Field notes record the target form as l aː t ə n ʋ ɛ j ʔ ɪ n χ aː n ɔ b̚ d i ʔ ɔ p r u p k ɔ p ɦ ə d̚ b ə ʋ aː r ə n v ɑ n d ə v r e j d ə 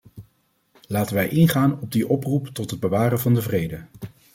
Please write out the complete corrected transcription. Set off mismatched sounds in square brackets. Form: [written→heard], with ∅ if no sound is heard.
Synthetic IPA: l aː t ə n ʋ ɛ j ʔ ɪ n χ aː n ɔ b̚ d i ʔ ɔ p r u p [k→t] ɔ [p→t] ɦ ə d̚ b ə ʋ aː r ə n v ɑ n d ə v r e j d ə

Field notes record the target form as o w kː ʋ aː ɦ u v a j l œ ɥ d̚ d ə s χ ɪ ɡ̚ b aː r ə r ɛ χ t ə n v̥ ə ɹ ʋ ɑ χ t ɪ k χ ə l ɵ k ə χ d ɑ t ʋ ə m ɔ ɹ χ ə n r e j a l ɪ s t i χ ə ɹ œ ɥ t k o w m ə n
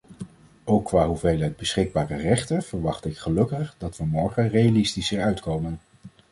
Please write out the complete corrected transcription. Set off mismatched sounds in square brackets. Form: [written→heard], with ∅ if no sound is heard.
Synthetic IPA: o w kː ʋ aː ɦ u v [a→e] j l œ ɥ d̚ [d→b] ə s χ ɪ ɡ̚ b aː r ə r ɛ χ t ə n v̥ ə ɹ ʋ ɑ χ t ɪ k χ ə l ɵ k ə χ d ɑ t ʋ ə m ɔ ɹ χ ə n r e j a l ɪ s t i [χ→s] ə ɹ œ ɥ t k o w m ə n

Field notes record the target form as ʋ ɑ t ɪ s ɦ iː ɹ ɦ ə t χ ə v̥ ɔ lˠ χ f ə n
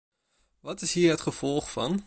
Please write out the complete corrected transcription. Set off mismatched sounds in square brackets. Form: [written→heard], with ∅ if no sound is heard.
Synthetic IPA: ʋ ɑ t ɪ s ɦ iː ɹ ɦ ə t χ ə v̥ ɔ lˠ χ f [ə→ɑ] n

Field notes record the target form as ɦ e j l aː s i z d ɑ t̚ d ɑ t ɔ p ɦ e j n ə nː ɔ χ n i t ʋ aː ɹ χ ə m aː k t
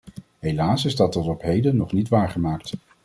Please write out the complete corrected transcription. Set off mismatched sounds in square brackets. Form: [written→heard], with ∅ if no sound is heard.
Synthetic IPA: ɦ e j l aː s [i→ɪ] z d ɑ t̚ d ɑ t ɔ p ɦ e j [n→d] ə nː ɔ χ n i t ʋ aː ɹ χ ə m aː k t

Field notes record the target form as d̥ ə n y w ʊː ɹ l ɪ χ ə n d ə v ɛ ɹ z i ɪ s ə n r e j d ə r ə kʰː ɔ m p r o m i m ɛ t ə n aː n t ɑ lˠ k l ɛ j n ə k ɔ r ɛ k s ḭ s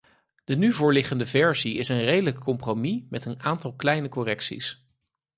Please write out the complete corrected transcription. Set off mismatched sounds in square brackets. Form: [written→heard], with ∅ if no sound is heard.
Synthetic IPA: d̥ ə n y [w→v] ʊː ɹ l ɪ χ ə n d ə v ɛ ɹ z i ɪ s ə n r e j d ə [r→l] ə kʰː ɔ m p r o m i m ɛ t ə n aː n t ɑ lˠ k l ɛ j n ə k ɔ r ɛ k s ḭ s

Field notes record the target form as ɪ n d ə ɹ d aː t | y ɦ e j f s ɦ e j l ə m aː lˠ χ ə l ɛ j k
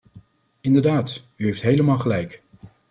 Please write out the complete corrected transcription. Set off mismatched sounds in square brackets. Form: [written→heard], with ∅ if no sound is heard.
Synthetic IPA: ɪ n d ə ɹ d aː t | y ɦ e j f [s→t] ɦ e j l ə m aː lˠ χ ə l ɛ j k

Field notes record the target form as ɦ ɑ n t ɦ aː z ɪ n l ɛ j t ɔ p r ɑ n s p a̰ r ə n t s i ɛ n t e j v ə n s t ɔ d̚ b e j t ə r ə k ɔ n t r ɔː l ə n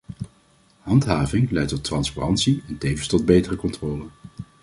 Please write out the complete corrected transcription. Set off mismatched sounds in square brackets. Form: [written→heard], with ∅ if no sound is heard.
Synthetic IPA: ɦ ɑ n t ɦ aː [z→v] ɪ [n→ŋ] l ɛ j t ɔ [p→t] r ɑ n s p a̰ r [ə→ɑ] n t s i ɛ n t e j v ə n s t ɔ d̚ b e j t ə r ə k ɔ n t r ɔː l ə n

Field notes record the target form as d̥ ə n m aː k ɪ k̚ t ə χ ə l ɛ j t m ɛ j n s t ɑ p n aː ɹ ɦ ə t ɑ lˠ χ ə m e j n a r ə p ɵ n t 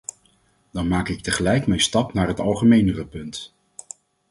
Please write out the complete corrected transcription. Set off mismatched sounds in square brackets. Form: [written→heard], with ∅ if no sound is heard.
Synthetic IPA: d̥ [ə→ɑ] n m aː k ɪ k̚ t ə χ ə l ɛ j [t→k] m ɛ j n s t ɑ p n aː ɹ ɦ ə t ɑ lˠ χ ə m e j n [a→ə] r ə p ɵ n t

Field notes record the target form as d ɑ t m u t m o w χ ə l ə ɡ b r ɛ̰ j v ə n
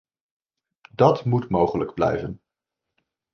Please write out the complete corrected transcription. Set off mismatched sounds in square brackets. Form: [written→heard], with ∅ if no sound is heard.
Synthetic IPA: d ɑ t m u t m o w χ ə l ə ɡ b [r→l] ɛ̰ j v ə n

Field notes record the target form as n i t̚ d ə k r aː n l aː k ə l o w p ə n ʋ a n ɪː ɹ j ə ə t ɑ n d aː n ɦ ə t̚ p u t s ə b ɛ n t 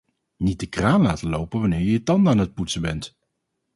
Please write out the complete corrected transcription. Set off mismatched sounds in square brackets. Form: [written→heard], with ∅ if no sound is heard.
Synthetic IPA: n i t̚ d ə k r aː n l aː [k→t] ə l o w p ə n ʋ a n ɪː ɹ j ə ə t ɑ n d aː n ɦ ə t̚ p u t s ə b ɛ n t

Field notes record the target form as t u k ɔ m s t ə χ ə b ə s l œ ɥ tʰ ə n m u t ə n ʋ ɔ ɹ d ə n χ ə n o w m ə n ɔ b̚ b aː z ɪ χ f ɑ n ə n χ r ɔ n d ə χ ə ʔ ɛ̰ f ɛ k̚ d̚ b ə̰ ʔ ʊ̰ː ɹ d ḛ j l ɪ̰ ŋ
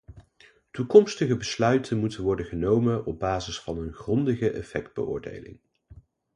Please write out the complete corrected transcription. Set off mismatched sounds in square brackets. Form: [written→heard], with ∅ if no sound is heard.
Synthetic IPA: t u k ɔ m s t ə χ ə b ə s l œ ɥ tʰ ə n m u t ə n ʋ ɔ ɹ d ə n χ ə n o w m ə n ɔ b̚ b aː z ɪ [χ→s] f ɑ n ə n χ r ɔ n d ə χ ə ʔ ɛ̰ f ɛ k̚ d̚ b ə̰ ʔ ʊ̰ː ɹ d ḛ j l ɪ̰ ŋ

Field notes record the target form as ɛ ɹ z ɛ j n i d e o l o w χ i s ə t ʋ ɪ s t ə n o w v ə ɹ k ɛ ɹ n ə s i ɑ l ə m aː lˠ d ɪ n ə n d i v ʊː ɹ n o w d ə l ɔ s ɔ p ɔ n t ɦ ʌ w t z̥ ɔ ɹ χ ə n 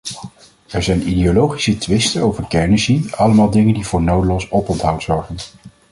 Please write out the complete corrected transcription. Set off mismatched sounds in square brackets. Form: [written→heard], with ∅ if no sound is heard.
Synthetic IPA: ɛ ɹ z ɛ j n i d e o l o w χ i s ə t ʋ ɪ s t ə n o w v ə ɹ k ɛ ɹ n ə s i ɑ l ə m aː lˠ d ɪ [n→ŋ] ə n d i v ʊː ɹ n o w d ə l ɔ s ɔ p ɔ n t ɦ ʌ w t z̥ ɔ ɹ χ ə n

